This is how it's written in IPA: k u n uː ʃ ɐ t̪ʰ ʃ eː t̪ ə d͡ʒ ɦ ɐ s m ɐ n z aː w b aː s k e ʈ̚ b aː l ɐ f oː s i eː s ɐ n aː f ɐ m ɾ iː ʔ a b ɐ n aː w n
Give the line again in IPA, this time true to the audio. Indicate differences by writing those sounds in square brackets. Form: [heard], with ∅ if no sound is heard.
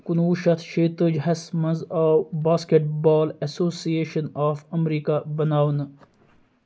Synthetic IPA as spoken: k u n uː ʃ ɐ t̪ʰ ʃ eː t̪ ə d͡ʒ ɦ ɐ s m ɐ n z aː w b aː s k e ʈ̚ b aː l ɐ [s] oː s i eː [ʃ] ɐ n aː f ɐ m ɾ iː [k] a b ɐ n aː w n